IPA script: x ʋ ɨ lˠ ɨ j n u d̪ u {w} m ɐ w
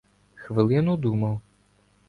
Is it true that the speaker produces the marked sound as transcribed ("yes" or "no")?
no